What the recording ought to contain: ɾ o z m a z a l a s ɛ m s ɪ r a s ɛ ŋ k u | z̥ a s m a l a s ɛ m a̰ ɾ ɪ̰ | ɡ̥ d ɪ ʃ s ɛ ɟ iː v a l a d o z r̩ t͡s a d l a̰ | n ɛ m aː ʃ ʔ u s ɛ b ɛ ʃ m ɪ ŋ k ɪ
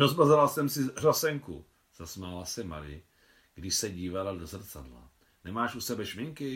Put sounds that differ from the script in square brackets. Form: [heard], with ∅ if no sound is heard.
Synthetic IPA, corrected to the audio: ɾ o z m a z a l a s ɛ m s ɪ r a s ɛ ŋ k u | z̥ a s m a l a s ɛ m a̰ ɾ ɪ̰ | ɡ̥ d ɪ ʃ s ɛ ɟ iː v a l a d o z r̩ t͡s a d l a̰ | n ɛ m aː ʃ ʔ u s ɛ b ɛ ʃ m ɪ ŋ k ɪ